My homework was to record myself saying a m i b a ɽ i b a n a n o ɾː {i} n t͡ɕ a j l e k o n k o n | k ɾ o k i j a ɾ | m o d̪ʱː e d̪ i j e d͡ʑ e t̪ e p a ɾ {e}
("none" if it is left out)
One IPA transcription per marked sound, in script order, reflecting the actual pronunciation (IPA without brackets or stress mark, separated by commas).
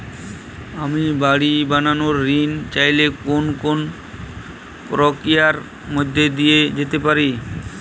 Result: i, i